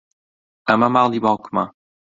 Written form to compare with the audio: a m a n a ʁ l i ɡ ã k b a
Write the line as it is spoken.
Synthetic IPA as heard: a m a m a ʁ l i b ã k m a